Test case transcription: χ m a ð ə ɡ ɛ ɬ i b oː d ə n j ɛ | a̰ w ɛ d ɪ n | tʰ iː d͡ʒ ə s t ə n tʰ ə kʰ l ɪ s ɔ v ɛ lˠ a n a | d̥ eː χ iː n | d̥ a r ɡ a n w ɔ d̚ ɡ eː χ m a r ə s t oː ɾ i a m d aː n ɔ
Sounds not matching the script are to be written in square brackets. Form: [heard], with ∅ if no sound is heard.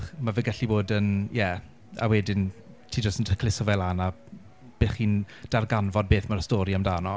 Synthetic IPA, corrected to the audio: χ m a [v] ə ɡ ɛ ɬ i b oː d ə n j ɛ | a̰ w ɛ d ɪ n | tʰ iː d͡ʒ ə s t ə n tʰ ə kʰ l ɪ s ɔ v ɛ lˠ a n a | [b̥] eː χ iː n | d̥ a r ɡ a n [v] ɔ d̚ [b] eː [θ] m a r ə s t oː ɾ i a m d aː n ɔ